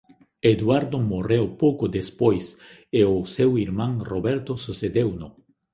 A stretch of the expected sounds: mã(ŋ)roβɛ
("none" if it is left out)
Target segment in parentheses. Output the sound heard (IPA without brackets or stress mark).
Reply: ŋ